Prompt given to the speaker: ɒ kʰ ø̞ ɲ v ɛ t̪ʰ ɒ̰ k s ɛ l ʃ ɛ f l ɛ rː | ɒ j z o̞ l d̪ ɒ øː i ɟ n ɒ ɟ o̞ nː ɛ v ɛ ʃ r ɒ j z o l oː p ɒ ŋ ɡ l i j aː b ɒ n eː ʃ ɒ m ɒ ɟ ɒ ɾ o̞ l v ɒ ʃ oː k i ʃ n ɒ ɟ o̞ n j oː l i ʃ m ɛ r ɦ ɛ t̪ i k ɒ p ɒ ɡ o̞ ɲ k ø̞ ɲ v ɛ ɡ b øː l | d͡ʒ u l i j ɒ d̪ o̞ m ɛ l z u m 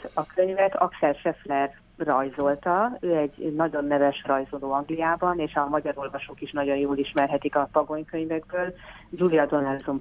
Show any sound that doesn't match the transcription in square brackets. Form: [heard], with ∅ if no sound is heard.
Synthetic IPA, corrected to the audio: ɒ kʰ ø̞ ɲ v ɛ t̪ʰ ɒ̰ k s ɛ l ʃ ɛ f l ɛ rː | ɒ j z o̞ l [t̪] ɒ øː [ɛ] ɟ n ɒ ɟ o̞ nː ɛ v ɛ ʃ r ɒ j z o l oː [∅] ɒ ŋ ɡ l i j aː b ɒ n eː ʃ ɒ m ɒ ɟ ɒ ɾ o̞ l v ɒ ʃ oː k i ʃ n ɒ ɟ o̞ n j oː l i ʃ m ɛ r ɦ ɛ t̪ i k ɒ p ɒ ɡ o̞ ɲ k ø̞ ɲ v ɛ ɡ b øː l | d͡ʒ u l i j ɒ d̪ o̞ [n] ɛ l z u m